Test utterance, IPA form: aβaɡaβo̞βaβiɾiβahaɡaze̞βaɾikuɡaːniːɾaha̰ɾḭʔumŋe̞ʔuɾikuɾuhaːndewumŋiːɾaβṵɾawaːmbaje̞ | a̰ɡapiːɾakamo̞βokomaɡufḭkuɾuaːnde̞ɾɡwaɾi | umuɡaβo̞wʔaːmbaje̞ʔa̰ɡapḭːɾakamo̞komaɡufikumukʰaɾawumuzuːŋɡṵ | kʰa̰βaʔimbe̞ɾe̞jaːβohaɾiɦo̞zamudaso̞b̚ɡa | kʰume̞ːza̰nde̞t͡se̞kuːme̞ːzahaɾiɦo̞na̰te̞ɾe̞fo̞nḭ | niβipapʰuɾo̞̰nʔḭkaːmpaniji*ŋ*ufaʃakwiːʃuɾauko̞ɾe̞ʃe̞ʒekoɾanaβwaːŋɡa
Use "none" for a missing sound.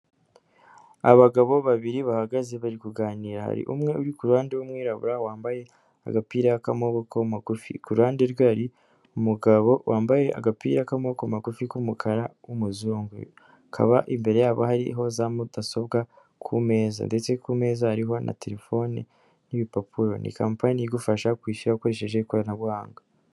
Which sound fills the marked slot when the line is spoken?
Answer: ɡ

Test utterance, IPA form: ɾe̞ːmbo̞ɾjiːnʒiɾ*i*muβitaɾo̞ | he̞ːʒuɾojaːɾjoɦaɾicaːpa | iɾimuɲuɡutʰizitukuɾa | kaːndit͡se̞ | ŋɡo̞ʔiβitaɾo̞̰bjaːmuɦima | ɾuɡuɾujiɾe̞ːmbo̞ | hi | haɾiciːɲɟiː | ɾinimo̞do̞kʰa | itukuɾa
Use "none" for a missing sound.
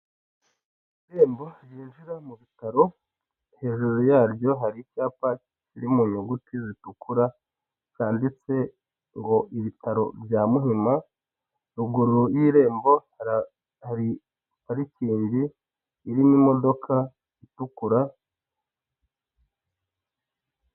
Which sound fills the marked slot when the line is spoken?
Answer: a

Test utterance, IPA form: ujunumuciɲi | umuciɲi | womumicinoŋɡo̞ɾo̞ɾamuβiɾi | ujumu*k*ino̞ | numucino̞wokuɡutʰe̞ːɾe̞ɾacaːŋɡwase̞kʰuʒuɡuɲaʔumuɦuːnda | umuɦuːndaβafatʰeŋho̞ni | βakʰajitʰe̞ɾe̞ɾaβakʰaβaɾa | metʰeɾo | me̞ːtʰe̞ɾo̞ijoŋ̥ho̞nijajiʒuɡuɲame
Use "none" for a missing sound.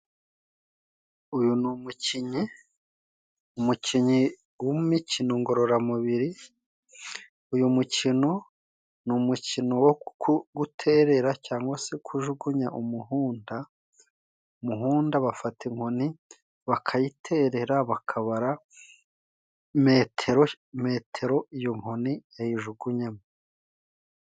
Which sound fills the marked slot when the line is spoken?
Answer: c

